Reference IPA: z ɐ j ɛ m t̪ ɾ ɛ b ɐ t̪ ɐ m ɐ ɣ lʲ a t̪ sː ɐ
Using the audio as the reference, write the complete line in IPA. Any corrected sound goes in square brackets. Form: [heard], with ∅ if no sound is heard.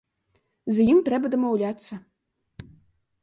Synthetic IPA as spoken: z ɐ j [i] m t̪ ɾ ɛ b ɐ [d̪] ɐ m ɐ [w] lʲ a t̪ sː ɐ